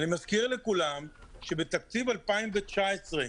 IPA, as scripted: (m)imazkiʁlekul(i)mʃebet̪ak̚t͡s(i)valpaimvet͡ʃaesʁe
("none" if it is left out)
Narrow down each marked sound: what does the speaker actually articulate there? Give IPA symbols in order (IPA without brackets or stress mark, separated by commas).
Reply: n, a, i